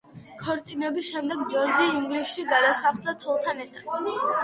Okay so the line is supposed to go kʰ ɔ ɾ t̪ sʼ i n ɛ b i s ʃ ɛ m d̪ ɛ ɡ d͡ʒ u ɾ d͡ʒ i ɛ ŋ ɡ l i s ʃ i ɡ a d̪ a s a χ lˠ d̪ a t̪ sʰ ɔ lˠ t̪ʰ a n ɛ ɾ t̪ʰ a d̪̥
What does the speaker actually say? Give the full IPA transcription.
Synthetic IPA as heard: kʰ ɔ ɾ t̪ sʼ i n ɛ b i s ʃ ɛ m d̪ ɛ ɡ d͡ʒ ɔ ɾ d͡ʒ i i ŋ ɡ l i s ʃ i ɡ a d̪ a s a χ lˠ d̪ a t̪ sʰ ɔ lˠ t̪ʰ a n ɛ ɾ t̪ʰ a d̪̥